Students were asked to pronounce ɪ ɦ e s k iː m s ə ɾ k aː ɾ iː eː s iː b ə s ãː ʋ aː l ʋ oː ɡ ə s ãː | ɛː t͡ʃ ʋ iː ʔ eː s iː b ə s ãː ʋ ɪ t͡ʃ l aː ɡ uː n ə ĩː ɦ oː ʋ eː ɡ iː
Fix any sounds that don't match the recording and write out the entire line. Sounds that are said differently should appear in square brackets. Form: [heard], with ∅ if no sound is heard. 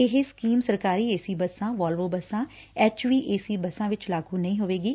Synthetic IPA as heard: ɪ ɦ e s k iː m s ə ɾ k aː ɾ iː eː s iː b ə s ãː ʋ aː l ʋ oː [b] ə s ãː | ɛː t͡ʃ ʋ iː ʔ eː s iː b ə s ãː ʋ ɪ t͡ʃ l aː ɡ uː n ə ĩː ɦ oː ʋ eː ɡ iː